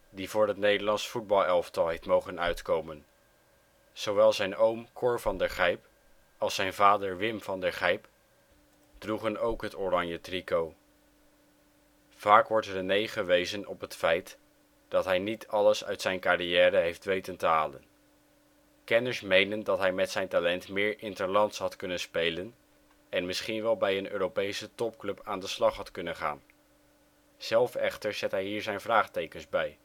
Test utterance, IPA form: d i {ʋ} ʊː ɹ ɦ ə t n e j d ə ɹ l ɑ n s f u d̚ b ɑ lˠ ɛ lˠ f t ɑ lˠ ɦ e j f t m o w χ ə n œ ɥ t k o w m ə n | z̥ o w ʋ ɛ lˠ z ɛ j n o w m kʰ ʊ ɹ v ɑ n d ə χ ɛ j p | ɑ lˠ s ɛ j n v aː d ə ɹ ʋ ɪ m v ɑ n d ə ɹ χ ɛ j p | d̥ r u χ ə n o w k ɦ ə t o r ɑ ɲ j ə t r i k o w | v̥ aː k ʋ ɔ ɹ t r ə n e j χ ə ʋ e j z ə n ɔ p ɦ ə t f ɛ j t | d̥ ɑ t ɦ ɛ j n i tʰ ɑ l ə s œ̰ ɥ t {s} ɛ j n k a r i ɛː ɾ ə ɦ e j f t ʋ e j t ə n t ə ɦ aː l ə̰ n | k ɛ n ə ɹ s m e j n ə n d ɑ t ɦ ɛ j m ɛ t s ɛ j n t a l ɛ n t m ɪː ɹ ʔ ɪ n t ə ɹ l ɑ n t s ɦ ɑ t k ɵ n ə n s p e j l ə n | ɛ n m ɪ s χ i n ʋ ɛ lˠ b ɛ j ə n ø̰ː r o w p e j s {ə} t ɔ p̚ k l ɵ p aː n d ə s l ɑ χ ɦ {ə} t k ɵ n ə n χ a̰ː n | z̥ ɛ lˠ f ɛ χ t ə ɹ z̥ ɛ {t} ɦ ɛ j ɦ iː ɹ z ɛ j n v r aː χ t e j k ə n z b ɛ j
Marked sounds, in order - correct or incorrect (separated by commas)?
incorrect, correct, correct, incorrect, correct